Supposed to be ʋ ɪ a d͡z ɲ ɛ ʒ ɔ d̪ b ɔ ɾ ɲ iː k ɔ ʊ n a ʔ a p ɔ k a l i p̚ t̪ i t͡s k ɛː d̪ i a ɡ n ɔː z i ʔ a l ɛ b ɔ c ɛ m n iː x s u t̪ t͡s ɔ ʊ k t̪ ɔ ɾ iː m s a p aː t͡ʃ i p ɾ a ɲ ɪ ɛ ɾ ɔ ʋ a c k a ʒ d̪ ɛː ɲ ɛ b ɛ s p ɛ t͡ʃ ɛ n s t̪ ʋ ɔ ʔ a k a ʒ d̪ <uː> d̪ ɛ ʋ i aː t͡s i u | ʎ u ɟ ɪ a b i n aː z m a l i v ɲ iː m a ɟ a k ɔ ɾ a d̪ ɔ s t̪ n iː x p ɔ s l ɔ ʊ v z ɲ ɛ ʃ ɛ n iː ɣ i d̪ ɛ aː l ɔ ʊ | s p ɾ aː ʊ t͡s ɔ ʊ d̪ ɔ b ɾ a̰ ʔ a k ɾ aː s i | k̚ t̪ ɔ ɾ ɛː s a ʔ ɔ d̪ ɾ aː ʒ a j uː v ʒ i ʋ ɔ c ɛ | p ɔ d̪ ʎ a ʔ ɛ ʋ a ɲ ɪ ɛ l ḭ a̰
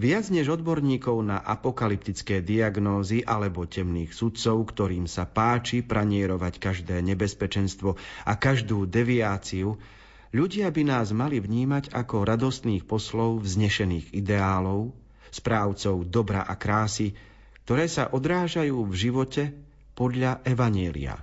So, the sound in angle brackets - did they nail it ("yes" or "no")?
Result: yes